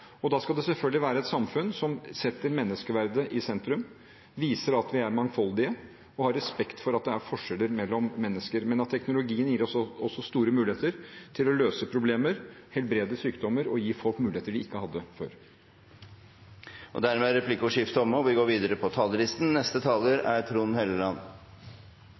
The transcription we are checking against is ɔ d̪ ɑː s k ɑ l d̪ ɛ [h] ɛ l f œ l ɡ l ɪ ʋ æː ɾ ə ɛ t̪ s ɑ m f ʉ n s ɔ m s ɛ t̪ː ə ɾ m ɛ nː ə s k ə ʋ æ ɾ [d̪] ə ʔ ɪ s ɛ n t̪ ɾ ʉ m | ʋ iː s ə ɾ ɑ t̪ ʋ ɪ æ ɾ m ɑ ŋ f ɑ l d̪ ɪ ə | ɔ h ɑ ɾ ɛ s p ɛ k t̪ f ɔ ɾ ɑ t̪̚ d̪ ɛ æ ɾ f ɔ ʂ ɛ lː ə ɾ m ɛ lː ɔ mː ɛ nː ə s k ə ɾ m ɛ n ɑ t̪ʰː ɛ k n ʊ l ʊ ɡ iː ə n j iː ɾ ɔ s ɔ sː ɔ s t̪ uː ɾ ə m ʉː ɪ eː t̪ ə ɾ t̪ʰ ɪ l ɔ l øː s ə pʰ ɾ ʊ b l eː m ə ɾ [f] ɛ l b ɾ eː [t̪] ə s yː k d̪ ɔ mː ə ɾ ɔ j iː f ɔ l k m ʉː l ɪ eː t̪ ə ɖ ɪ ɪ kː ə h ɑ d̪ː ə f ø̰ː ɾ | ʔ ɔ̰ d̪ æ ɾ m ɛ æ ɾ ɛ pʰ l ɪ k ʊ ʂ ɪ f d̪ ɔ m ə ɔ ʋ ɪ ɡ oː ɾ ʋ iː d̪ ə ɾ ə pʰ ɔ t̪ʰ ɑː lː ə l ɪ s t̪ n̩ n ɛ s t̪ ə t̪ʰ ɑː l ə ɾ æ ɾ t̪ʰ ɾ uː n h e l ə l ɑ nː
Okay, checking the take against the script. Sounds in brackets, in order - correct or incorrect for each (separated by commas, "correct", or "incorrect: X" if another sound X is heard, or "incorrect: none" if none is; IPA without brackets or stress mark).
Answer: incorrect: s, correct, incorrect: h, incorrect: d̪